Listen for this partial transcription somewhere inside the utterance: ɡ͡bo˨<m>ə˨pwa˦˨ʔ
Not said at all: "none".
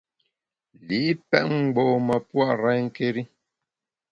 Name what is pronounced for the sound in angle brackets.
m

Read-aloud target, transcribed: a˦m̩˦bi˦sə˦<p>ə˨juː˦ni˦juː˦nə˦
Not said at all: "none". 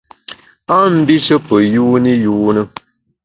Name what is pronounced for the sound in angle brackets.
p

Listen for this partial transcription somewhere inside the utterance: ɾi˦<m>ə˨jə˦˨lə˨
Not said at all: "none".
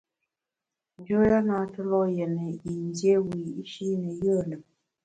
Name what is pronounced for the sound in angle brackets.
n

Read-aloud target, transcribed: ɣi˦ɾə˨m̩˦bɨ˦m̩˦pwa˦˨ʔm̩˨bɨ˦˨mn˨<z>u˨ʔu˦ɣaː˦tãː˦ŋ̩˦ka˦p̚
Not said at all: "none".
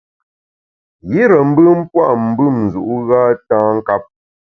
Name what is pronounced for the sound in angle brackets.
z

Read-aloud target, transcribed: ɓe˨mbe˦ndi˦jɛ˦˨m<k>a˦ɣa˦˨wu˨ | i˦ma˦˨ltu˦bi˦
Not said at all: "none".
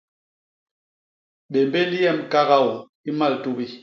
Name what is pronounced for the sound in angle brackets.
k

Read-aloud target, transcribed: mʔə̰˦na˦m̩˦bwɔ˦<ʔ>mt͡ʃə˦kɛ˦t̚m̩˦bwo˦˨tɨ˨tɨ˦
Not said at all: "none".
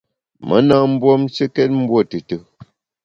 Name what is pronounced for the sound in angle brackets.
none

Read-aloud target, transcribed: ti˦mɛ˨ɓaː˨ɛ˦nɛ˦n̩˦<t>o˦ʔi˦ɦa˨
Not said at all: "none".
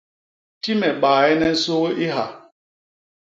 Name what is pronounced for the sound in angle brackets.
s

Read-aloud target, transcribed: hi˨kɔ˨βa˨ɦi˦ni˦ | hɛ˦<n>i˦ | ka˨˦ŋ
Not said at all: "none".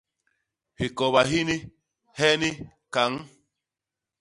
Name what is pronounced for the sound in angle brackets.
n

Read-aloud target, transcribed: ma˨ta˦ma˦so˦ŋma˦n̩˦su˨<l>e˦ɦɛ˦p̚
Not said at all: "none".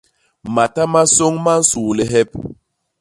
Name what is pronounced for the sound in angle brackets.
l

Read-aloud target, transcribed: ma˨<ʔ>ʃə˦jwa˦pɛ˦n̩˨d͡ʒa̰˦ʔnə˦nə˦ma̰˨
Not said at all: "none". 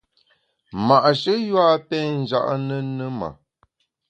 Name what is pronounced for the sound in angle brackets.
ʔ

